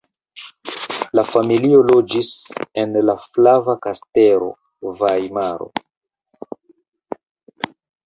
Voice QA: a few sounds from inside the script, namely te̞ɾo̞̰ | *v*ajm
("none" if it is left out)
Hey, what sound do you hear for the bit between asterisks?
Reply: v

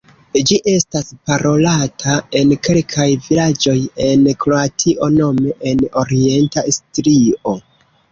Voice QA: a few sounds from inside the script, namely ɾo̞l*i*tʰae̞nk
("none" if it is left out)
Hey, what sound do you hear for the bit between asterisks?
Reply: a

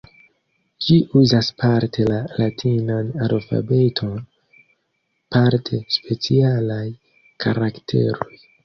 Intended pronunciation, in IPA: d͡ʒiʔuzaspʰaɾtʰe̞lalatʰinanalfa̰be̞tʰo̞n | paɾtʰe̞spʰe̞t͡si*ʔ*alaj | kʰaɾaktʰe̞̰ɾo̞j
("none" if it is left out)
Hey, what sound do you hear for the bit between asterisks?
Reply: none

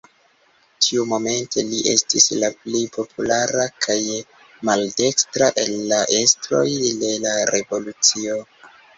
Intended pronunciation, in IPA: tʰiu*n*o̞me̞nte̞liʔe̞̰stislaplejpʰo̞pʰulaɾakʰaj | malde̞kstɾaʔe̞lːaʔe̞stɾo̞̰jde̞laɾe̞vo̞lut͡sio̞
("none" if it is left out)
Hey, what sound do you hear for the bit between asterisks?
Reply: m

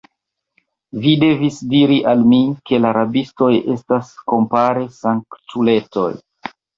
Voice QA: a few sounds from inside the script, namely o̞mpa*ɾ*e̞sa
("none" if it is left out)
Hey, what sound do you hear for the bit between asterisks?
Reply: ɾ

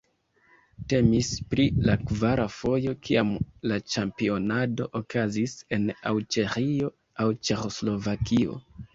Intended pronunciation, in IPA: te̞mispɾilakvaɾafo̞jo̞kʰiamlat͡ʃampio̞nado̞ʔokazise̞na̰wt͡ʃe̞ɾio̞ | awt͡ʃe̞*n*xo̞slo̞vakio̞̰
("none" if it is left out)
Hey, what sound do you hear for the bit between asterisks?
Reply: none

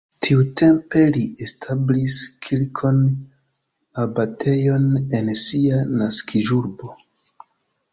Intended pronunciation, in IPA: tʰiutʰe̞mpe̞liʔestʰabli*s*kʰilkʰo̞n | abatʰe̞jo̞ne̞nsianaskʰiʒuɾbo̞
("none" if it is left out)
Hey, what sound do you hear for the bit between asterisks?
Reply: s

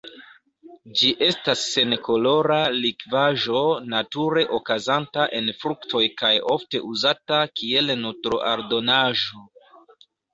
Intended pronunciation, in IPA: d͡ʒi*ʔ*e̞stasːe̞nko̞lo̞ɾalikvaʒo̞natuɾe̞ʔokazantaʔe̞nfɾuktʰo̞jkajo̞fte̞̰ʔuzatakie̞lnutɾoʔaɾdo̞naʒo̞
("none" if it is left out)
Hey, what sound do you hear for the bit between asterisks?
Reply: ʔ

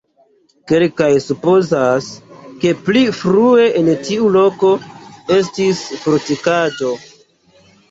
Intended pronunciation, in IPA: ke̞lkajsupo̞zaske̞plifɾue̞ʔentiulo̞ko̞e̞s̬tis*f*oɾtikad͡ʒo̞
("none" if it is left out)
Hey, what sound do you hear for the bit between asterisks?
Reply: f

